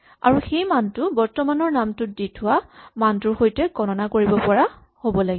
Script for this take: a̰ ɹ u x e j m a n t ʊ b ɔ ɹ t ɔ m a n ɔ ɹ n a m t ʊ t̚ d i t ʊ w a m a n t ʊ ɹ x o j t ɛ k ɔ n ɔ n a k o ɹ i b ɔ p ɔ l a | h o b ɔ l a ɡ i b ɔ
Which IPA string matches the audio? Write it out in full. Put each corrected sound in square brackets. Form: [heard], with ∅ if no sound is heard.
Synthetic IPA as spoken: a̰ ɹ u x e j m a n t ʊ b ɔ ɹ t ɔ m a n ɔ ɹ n a m t ʊ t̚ d i [tʰ] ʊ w a m a n t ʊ ɹ x o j t ɛ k ɔ n ɔ n a k o ɹ i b ɔ p ɔ [ɹ] a | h o b ɔ l a ɡ i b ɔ